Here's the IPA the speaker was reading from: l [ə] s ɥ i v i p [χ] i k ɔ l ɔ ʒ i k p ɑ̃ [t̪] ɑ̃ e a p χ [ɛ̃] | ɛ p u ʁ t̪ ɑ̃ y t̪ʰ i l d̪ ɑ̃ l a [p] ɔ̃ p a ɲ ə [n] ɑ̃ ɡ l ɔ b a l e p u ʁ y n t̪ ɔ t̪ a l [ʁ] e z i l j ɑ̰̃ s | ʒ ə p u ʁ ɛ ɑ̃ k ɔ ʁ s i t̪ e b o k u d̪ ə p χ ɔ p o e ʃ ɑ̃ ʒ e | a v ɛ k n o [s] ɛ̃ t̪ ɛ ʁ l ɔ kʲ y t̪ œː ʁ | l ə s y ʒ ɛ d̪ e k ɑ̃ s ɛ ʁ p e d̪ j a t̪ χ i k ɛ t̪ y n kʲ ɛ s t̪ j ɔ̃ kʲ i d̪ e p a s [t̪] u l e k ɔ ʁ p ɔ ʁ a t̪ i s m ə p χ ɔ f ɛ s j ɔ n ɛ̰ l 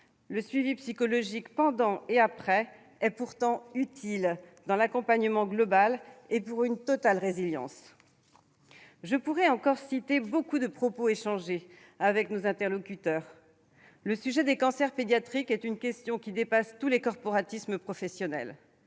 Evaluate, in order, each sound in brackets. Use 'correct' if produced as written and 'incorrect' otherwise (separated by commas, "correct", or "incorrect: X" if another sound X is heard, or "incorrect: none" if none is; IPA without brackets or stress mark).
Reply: correct, incorrect: s, incorrect: d̪, incorrect: ɛ, incorrect: k, incorrect: m, correct, incorrect: z, correct